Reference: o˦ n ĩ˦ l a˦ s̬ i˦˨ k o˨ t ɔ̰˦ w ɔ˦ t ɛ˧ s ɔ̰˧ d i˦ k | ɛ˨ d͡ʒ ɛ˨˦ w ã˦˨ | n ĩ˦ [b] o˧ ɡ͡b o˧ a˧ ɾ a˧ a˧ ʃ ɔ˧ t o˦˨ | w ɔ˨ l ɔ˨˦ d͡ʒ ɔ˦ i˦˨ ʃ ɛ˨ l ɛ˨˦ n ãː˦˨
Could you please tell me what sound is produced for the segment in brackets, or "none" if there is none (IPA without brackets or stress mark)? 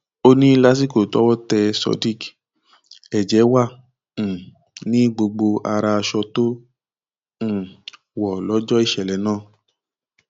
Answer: ɡ͡b